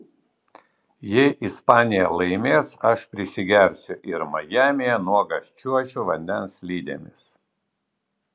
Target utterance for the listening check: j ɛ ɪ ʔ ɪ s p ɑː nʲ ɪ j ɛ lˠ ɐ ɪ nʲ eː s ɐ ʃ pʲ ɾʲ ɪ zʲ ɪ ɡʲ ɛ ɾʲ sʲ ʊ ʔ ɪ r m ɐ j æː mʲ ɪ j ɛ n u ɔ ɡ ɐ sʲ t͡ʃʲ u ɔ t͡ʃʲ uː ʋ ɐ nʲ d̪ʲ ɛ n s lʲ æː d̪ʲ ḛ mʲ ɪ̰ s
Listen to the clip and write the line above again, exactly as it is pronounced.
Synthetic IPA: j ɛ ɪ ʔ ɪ s p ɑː nʲ ɪ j ɛ lˠ ɐ ɪ mʲ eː s ɐ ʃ pʲ ɾʲ ɪ sʲ ɪ ɡʲ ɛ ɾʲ sʲ ʊ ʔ ɪ ɾ m ɐ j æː mʲ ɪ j ɛ n u ɔ ɡ ɐ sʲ t͡ʃʲ u ɔ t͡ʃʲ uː ʋ ɐ nʲ d̪ʲ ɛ n s lʲ iː d̪ʲ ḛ mʲ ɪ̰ s